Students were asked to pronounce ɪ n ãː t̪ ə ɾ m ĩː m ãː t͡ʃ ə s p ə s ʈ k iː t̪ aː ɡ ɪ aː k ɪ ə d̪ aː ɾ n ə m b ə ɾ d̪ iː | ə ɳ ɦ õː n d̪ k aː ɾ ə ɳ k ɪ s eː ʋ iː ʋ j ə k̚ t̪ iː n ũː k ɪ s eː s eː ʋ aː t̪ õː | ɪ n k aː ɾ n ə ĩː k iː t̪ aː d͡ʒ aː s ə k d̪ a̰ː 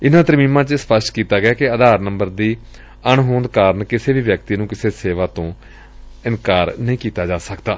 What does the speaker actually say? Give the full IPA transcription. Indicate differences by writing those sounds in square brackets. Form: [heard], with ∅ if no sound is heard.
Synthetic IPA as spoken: ɪ n ãː t̪ ə ɾ m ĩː m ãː t͡ʃ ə s p ə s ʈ k iː t̪ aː ɡ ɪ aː k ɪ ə d̪ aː ɾ n ə m b ə ɾ d̪ iː | ə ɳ ɦ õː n d̪ k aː ɾ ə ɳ k ɪ s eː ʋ iː ʋ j ə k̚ t̪ iː n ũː k ɪ s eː s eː ʋ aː t̪ õː | ɪ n k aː ɾ n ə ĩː k iː t̪ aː d͡ʒ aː s ə k d̪ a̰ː